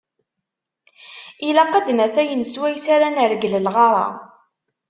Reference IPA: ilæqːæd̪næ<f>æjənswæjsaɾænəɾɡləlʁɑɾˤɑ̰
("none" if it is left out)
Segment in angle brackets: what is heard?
θ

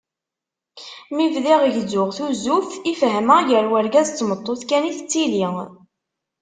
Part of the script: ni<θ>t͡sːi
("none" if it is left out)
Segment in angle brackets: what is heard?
θ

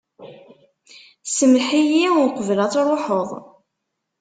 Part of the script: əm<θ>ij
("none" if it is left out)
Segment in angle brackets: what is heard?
ħ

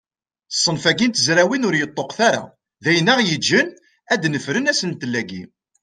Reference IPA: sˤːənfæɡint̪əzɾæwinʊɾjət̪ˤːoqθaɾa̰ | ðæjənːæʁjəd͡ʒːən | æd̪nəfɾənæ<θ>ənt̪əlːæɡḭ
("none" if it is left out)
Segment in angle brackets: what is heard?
s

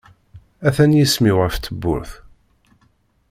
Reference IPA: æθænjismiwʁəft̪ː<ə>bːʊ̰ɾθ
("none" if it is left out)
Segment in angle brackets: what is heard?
ə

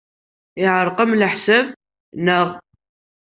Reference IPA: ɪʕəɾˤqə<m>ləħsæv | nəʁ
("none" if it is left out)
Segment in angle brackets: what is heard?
m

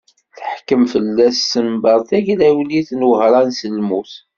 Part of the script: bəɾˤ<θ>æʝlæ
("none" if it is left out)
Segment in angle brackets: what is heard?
θ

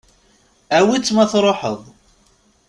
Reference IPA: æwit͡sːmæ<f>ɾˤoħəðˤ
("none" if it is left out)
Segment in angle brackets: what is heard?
θ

